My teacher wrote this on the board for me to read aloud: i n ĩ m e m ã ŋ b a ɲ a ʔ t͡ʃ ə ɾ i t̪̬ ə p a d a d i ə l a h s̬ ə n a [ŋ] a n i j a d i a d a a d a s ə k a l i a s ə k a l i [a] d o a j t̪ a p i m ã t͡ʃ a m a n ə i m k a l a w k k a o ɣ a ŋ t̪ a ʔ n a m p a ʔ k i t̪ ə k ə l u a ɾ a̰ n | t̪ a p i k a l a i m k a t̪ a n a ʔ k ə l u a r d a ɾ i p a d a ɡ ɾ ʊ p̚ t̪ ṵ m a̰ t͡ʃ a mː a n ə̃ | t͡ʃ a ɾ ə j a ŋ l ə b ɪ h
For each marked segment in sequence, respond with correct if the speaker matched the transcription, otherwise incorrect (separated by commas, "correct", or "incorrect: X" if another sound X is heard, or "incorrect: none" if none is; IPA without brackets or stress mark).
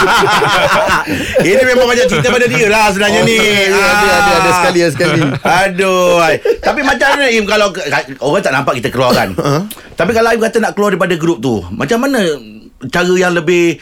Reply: incorrect: ɲ, correct